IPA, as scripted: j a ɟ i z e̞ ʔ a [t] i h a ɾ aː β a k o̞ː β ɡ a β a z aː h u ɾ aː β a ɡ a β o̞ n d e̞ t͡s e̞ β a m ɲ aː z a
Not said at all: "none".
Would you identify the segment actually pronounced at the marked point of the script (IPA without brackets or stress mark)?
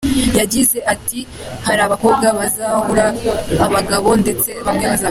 t